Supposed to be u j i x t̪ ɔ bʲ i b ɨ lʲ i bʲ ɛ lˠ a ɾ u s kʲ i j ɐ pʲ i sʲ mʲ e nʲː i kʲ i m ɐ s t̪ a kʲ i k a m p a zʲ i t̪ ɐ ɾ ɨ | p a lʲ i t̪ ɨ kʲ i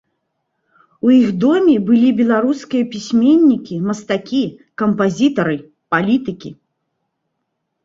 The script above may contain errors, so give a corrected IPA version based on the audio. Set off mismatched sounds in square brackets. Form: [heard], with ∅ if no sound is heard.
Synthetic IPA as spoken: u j i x [d̪] ɔ [mʲ] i b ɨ lʲ i bʲ ɛ lˠ a ɾ u s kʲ i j ɐ pʲ i sʲ mʲ e nʲː i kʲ i m ɐ s t̪ a kʲ i k [ɐ] m p a zʲ i t̪ ɐ ɾ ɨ | p a lʲ i t̪ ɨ kʲ i